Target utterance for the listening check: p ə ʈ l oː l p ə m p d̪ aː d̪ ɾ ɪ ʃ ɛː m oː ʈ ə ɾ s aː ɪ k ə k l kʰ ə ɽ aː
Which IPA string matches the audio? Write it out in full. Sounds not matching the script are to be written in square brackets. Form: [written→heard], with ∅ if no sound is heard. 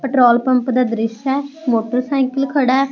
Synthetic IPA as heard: p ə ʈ [l→ɾ] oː l p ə m p d̪ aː d̪ ɾ ɪ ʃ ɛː m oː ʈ ə ɾ s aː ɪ k ə [k→∅] l kʰ ə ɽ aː